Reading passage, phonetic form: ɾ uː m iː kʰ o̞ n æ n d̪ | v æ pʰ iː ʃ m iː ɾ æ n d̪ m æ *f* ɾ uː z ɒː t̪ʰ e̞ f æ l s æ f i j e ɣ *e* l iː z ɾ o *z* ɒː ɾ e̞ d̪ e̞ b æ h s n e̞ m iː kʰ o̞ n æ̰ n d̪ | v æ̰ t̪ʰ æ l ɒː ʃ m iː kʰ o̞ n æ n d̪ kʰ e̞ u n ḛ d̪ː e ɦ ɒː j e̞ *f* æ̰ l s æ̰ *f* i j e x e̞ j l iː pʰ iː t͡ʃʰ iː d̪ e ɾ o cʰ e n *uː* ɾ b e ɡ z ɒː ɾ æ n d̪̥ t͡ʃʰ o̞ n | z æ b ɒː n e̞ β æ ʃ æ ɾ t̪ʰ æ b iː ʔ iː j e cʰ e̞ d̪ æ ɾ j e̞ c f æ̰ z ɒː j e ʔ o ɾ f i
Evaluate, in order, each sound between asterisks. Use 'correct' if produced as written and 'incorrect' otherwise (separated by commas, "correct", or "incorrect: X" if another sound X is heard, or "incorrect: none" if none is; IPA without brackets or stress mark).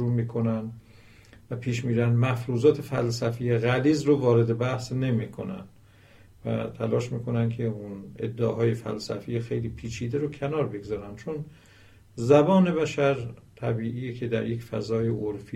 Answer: correct, incorrect: æ, incorrect: v, correct, correct, incorrect: ɒː